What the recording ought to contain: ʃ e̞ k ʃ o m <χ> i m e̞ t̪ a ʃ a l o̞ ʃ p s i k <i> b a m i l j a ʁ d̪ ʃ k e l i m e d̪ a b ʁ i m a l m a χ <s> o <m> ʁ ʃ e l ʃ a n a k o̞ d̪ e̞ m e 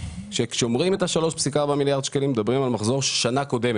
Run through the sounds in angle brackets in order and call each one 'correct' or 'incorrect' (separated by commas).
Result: incorrect, incorrect, incorrect, incorrect